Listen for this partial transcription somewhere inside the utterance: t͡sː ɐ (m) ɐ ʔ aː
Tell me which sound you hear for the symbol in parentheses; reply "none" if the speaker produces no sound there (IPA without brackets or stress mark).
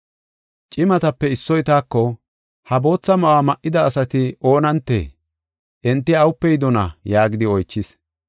m